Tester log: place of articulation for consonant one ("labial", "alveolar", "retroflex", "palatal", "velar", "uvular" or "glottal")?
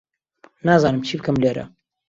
alveolar